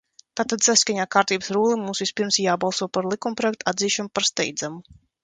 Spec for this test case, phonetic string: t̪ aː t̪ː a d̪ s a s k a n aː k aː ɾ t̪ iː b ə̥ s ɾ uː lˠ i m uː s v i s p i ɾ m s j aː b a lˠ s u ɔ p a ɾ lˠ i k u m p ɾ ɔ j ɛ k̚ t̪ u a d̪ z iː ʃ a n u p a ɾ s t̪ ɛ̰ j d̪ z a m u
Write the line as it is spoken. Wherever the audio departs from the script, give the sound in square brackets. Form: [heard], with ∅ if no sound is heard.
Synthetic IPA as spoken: t̪ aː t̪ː a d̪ s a s k a [ɲ] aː k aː ɾ t̪ iː b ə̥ s ɾ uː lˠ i m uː s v i s p i ɾ m s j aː b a lˠ s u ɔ p a ɾ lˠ i k u m p ɾ ɔ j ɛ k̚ t̪ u a d̪ z iː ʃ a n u p a ɾ s t̪ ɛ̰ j d̪ z a m u